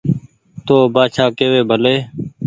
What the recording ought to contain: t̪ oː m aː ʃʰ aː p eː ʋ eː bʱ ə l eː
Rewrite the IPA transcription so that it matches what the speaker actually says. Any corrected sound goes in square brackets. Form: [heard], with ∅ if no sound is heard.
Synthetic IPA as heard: t̪ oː [b] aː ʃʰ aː [k] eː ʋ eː bʱ ə l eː